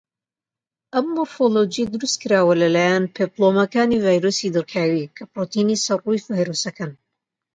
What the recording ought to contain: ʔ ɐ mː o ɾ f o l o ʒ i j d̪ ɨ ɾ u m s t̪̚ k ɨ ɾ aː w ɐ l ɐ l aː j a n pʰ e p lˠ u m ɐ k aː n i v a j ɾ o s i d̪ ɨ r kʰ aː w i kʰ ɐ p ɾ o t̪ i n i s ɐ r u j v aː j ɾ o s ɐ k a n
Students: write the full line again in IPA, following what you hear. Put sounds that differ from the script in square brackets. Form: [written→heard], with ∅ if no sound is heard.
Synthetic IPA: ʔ ɐ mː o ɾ f o l o [ʒ→d͡ʒ] i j d̪ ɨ ɾ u [m→∅] s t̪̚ k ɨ ɾ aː w ɐ l ɐ l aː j a n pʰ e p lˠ [u→o] m ɐ k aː n i v a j ɾ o s i d̪ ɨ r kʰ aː w i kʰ ɐ p ɾ o t̪ i n i s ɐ r u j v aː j ɾ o s ɐ k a n